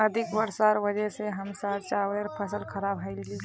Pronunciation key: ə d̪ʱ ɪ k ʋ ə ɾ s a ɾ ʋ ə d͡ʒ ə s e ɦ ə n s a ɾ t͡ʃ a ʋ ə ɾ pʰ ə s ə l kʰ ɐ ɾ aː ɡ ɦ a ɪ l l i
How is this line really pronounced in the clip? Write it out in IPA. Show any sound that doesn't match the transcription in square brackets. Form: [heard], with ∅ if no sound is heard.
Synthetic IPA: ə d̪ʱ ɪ k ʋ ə ɾ s a ɾ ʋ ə d͡ʒ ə s e ɦ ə [m] s a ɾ t͡ʃ a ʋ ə ɾ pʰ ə s ə l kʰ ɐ ɾ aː [b] ɦ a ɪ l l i

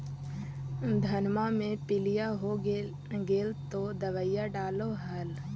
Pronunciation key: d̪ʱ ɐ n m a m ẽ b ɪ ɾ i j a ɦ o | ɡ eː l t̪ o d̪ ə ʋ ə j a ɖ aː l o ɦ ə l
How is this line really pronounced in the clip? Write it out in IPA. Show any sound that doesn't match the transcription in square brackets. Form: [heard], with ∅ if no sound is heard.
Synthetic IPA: d̪ʱ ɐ n m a m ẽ [p] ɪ [l] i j a ɦ o | ɡ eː l t̪ o d̪ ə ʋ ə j a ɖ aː l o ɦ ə l

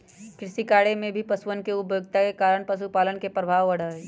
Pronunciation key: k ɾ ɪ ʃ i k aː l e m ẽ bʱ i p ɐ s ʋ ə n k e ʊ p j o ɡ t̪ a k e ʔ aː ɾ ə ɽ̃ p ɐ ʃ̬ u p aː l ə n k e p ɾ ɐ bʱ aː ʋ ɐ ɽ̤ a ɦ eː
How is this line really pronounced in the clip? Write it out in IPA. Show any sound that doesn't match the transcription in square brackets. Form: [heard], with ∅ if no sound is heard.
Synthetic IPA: k ɾ ɪ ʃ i k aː [ɽ] e m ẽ bʱ i p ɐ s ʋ ə n k e ʊ p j o ɡ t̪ a k e [k] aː ɾ ə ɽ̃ p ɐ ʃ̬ u p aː l ə n k e p ɾ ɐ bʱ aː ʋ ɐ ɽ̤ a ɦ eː

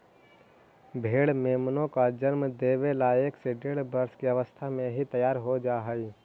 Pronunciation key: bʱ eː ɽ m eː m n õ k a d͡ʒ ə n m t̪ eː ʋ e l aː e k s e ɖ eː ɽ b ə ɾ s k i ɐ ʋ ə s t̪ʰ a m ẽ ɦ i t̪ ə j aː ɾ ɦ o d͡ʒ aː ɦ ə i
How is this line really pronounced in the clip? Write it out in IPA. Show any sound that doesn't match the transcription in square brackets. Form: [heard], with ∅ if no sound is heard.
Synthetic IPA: bʱ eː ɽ m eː m n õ k a d͡ʒ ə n m [d̪] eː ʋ e l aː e k s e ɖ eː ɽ b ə ɾ s k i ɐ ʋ ə s t̪ʰ a m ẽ ɦ i t̪ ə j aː ɾ ɦ o d͡ʒ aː ɦ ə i

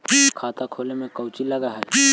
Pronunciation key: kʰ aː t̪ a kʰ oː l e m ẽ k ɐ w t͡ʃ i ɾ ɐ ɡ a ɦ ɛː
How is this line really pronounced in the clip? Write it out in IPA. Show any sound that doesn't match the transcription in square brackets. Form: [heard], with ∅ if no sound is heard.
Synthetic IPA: kʰ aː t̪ a kʰ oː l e m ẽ k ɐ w t͡ʃ i [l] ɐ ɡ a ɦ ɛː

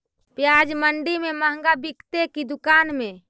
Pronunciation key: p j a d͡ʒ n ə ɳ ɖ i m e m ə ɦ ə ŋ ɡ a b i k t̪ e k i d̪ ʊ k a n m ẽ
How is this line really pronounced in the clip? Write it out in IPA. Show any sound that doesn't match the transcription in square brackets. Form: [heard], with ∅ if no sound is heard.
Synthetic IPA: p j a d͡ʒ [m] ə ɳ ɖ i m e m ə ɦ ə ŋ ɡ a b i k t̪ e k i d̪ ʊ k a n m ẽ

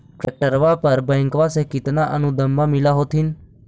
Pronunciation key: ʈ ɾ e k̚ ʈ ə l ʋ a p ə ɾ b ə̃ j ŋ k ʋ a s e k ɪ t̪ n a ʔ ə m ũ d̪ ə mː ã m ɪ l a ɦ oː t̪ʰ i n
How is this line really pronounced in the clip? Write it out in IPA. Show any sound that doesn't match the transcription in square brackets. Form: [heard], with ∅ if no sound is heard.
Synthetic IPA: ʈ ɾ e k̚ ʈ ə [ɾ] ʋ a p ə ɾ b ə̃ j ŋ k ʋ a s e k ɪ t̪ n a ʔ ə [n] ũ d̪ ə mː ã m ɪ l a ɦ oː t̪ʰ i n

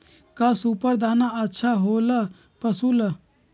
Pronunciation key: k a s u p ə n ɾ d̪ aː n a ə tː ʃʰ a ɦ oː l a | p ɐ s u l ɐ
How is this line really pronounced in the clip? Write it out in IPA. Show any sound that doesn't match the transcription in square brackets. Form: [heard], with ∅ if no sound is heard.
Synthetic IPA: k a s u p ə [∅] ɾ d̪ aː n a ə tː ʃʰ a ɦ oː l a | p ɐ s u l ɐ

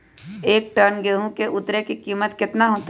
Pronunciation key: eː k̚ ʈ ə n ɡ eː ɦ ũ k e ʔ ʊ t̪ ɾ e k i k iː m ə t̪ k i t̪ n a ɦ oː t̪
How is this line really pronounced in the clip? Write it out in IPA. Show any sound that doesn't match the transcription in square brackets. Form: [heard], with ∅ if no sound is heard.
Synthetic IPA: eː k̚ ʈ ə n ɡ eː ɦ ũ k e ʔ ʊ t̪ ɾ e k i k iː m ə t̪ k [ɪ] t̪ n a ɦ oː t̪

